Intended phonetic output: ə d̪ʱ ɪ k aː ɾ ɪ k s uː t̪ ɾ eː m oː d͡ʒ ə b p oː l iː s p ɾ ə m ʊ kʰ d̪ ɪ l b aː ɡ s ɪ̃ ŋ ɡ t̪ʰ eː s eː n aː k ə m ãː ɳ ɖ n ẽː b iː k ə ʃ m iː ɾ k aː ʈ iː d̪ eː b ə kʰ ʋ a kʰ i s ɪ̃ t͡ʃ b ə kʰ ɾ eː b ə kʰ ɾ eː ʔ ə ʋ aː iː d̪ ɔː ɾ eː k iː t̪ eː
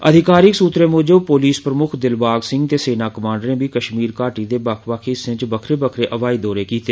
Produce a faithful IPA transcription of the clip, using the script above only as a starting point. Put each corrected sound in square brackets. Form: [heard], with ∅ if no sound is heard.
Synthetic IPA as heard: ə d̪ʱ ɪ k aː ɾ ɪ k s uː t̪ ɾ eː m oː d͡ʒ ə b p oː l iː s p ɾ ə m ʊ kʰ d̪ ɪ l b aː ɡ s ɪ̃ ŋ ɡ [t̪] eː s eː n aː k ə m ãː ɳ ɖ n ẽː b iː k ə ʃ m iː ɾ k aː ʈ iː d̪ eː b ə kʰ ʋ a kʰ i s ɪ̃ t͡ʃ b ə kʰ ɾ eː b ə kʰ ɾ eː ʔ ə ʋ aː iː d̪ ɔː ɾ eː k iː t̪ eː